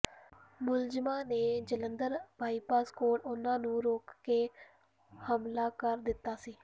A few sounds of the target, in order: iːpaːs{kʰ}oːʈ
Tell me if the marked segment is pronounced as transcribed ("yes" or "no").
no